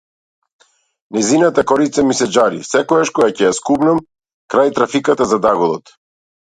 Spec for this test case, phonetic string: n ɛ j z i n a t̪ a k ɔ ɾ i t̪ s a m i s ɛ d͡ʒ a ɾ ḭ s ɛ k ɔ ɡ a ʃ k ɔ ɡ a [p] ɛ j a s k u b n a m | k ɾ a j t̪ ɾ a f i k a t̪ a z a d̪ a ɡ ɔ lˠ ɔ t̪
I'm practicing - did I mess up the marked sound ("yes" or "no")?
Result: yes